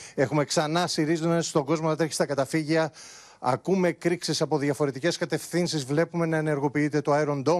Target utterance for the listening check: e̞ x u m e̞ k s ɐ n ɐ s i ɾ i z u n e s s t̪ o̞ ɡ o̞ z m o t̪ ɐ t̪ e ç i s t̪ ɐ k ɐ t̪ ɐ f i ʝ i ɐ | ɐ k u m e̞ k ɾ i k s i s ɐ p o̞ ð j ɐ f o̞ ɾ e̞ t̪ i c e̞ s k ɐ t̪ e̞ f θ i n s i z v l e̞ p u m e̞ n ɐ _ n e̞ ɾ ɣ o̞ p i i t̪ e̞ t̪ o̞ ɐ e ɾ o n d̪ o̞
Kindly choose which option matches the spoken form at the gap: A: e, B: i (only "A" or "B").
A